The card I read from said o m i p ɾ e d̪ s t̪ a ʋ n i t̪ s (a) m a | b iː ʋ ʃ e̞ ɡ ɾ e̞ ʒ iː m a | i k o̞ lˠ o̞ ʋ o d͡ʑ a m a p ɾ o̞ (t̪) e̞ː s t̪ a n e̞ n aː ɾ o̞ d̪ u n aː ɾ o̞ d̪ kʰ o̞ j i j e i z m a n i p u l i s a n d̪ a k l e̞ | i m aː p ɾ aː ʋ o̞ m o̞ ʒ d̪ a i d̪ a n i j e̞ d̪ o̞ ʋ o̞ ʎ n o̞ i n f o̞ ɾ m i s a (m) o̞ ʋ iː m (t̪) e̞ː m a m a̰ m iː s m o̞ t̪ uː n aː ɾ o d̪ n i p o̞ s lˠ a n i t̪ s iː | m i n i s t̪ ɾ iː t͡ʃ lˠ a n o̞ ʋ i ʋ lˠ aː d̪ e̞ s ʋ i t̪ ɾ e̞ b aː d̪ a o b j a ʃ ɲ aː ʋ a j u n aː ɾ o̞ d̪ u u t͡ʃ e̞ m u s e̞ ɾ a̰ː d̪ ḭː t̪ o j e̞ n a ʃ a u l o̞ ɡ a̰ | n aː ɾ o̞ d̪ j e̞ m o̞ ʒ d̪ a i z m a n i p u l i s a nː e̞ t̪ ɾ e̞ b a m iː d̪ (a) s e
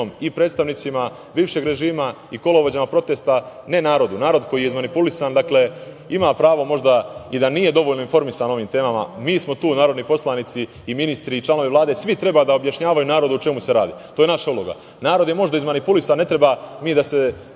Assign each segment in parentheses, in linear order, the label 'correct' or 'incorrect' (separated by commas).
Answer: incorrect, correct, incorrect, correct, correct